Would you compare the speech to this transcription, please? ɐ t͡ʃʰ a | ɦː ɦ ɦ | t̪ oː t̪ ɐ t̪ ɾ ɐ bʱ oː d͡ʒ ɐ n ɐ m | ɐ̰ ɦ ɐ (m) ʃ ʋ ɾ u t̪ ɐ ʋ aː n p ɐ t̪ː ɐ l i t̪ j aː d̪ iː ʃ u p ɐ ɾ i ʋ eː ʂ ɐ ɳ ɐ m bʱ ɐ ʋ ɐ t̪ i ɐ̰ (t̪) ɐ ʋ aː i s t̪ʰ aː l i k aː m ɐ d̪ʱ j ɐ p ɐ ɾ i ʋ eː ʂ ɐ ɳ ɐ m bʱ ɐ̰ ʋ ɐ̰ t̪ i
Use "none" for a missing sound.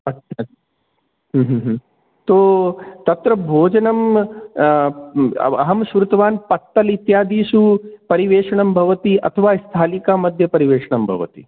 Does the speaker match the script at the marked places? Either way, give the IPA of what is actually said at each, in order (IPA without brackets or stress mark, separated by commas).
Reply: m, t̪ʰ